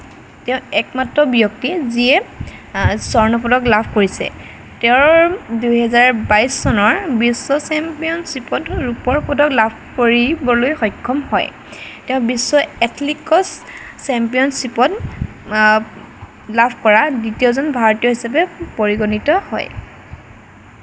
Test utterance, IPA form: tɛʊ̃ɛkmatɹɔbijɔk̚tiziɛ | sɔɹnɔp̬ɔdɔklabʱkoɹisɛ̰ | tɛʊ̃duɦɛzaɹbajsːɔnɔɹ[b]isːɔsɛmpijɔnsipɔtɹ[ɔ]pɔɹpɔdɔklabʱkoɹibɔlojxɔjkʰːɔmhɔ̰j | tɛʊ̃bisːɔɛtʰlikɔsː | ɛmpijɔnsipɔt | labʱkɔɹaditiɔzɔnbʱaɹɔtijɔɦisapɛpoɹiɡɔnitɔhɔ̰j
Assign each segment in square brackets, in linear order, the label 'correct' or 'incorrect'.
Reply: correct, incorrect

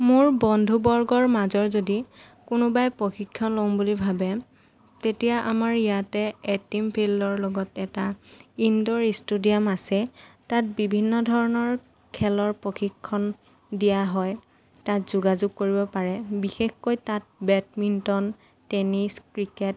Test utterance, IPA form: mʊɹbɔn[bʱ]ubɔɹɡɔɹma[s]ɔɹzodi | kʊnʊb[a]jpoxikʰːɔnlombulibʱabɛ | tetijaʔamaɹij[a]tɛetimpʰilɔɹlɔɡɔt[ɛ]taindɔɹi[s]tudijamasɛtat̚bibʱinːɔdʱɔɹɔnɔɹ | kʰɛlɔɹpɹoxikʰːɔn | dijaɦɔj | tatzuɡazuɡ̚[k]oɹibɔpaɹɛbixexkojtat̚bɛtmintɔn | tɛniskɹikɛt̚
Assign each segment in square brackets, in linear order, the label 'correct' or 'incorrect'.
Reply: incorrect, incorrect, correct, correct, correct, correct, correct

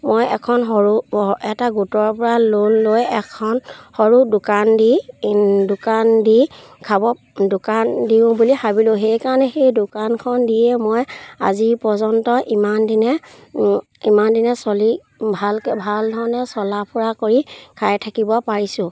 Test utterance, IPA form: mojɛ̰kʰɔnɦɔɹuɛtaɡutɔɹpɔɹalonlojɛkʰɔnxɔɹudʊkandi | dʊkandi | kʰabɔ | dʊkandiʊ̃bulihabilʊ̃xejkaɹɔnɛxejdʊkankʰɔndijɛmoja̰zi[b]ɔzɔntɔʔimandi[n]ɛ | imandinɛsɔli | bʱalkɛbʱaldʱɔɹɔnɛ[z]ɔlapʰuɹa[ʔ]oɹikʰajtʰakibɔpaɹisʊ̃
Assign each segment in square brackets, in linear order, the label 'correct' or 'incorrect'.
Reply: incorrect, correct, incorrect, incorrect

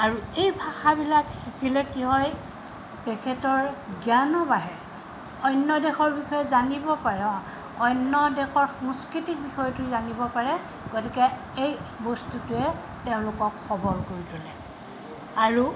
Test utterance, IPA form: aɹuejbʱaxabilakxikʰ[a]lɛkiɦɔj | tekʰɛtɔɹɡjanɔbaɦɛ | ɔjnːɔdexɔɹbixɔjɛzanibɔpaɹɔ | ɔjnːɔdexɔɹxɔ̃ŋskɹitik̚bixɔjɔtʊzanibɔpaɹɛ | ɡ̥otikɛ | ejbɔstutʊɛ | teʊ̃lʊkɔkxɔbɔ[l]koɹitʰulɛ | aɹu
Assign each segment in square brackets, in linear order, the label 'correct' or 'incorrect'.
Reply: incorrect, incorrect

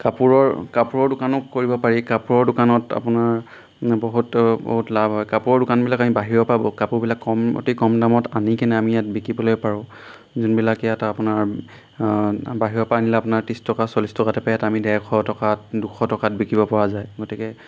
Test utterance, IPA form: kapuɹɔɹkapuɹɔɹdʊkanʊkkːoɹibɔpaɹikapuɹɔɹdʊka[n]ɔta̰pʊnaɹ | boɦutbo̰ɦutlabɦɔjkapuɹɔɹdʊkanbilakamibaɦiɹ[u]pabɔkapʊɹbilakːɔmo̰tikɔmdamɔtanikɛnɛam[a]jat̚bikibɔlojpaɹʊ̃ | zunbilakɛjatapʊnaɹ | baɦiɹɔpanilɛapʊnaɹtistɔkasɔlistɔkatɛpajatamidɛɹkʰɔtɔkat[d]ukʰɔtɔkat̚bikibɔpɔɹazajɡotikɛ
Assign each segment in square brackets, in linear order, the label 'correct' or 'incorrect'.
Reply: correct, incorrect, incorrect, correct

